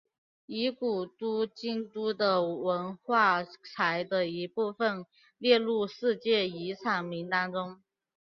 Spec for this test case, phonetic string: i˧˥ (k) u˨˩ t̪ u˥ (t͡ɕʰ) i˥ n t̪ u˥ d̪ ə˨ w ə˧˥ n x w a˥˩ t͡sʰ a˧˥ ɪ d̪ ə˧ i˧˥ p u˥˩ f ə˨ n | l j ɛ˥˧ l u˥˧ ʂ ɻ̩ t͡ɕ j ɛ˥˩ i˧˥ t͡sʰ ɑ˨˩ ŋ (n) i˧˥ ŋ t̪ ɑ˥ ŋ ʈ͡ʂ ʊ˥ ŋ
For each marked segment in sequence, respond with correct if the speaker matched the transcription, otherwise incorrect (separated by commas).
correct, incorrect, incorrect